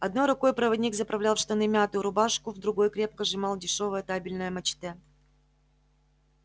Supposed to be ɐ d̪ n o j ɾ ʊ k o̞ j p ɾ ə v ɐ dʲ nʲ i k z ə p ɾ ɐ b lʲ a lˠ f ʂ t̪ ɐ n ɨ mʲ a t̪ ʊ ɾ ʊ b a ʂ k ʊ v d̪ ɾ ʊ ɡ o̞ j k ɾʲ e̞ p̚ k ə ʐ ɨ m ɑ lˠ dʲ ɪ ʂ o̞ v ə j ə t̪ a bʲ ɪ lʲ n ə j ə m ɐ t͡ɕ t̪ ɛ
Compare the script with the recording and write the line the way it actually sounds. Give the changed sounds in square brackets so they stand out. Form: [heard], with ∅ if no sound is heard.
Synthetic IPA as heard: ɐ d̪ n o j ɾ ʊ k o̞ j p ɾ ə v ɐ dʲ nʲ i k z ə p ɾ ɐ [v] lʲ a lˠ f ʂ t̪ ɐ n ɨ mʲ a t̪ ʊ ɾ ʊ b a ʂ k ʊ v d̪ ɾ ʊ ɡ o̞ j k ɾʲ e̞ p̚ k ə ʐ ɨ m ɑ lˠ dʲ ɪ ʂ o̞ v ə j ə t̪ a bʲ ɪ lʲ n ə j ə m ɐ t͡ɕ t̪ ɛ